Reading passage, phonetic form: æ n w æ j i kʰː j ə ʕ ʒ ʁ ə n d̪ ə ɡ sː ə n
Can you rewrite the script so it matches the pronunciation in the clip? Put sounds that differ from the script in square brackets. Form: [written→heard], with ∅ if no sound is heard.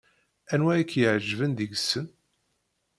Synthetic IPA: æ n w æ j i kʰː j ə ʕ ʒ [ʁ→v] ə n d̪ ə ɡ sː ə n